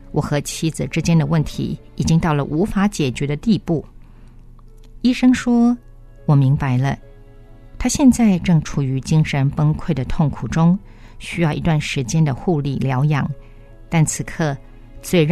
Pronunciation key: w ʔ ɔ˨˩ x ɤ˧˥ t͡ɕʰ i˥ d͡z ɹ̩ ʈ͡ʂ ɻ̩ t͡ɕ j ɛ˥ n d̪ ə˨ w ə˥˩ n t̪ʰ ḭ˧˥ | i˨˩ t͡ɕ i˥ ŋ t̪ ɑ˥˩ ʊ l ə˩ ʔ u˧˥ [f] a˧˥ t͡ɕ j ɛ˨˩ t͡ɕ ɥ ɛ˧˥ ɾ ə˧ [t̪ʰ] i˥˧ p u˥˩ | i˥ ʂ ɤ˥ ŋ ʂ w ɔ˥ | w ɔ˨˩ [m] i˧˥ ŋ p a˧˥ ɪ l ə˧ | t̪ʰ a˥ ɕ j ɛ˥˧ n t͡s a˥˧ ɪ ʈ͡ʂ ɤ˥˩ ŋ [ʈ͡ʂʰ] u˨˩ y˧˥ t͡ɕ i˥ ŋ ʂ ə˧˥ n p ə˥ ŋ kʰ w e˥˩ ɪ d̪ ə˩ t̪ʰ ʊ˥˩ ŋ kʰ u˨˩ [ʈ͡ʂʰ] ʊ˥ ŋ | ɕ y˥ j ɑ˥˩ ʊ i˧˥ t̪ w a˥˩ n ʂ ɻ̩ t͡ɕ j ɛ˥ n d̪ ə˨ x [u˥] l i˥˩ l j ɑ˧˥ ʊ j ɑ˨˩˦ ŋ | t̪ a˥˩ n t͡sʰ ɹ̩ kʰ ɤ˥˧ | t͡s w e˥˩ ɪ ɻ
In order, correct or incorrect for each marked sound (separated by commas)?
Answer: correct, incorrect, correct, correct, incorrect, incorrect